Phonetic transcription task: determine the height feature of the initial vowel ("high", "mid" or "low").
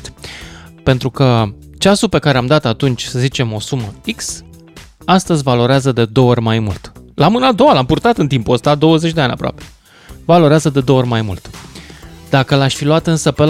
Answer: mid